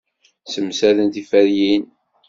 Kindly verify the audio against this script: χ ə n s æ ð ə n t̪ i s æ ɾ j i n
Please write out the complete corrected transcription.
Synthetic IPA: s ə m s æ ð ə n t̪ i f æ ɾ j i n